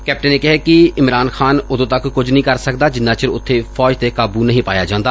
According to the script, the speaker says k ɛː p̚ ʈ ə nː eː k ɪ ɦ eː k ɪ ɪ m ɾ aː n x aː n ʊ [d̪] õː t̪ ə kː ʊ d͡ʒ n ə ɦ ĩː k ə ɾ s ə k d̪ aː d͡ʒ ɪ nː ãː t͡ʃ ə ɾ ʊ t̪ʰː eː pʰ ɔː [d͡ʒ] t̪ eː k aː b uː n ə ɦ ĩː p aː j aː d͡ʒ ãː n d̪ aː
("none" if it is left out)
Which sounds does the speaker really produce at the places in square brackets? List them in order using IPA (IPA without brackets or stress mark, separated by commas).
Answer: d̪, d͡ʒ